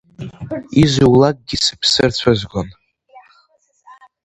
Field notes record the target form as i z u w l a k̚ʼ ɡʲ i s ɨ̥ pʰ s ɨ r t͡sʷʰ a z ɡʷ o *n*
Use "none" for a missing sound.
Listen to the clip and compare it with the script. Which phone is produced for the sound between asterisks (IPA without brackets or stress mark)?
n